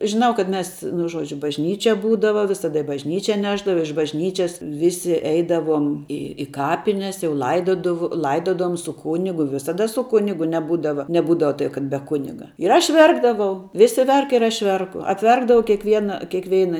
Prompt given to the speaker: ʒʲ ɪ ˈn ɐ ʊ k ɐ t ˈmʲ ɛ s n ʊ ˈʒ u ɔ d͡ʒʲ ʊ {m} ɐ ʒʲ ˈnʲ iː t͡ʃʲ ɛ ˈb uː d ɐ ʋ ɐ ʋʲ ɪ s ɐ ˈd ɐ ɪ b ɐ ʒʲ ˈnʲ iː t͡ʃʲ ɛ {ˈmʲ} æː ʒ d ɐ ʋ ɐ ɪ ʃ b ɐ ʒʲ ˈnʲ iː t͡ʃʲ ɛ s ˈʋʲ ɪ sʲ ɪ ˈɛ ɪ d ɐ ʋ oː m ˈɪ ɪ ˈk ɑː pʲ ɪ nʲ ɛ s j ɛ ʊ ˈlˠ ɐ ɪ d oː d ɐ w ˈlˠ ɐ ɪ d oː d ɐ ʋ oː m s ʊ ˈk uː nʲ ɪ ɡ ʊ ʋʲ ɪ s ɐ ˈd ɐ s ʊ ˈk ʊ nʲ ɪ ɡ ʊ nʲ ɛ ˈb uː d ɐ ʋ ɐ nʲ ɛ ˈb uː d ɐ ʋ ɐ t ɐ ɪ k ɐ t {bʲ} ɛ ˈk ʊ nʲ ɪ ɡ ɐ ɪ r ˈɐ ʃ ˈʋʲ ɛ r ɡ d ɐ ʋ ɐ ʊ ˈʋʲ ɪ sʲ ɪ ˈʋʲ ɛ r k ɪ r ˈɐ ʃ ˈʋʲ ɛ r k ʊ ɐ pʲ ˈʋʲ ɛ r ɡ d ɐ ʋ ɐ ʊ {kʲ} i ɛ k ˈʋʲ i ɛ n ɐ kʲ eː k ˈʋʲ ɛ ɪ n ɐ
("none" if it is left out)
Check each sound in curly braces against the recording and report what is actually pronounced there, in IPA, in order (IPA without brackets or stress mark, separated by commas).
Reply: b, nʲ, bʲ, kʲ